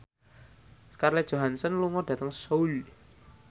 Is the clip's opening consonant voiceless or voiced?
voiceless